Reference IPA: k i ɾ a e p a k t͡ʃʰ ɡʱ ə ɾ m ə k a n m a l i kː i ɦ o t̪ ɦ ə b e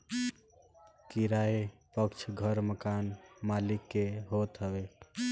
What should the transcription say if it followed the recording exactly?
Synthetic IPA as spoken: k i ɾ a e p ə k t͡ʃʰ ɡʱ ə ɾ m ə k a n m a l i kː e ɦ o t̪ ɦ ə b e